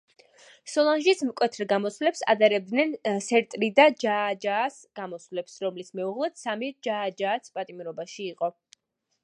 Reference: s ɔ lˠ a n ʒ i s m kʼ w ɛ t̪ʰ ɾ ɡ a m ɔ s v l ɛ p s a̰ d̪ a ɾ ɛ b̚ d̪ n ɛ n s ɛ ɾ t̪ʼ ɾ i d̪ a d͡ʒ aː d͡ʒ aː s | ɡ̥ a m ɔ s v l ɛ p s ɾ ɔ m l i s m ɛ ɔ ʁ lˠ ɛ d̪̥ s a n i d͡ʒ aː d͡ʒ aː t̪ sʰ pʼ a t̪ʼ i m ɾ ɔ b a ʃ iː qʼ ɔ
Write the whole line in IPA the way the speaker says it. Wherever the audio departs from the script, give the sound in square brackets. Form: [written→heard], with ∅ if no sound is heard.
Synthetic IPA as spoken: s ɔ lˠ a n ʒ i s m kʼ w ɛ t̪ʰ ɾ ɡ a m ɔ s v l ɛ p s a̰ d̪ a ɾ ɛ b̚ d̪ n ɛ n s ɛ ɾ t̪ʼ ɾ i d̪ a d͡ʒ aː d͡ʒ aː s | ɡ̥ a m ɔ s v l ɛ p s ɾ ɔ m l i s m ɛ [ɔ→u] ʁ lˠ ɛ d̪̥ s a [n→m] i d͡ʒ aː d͡ʒ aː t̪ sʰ pʼ a t̪ʼ i m ɾ ɔ b a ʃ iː qʼ ɔ